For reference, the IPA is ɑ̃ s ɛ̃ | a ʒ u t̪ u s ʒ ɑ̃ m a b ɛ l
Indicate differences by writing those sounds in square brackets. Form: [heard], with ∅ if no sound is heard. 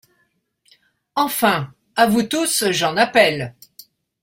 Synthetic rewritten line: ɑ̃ [f] ɛ̃ | a [v] u t̪ u s ʒ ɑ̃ [n] a [p] ɛ l